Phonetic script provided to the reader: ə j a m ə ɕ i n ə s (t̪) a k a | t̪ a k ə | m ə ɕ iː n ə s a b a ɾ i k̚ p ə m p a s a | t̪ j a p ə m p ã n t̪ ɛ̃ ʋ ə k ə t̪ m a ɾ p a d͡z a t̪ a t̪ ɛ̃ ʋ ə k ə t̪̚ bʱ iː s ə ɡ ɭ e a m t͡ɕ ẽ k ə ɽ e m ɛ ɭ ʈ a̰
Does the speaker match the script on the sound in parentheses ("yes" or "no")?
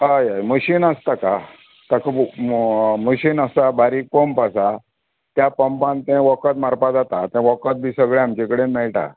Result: yes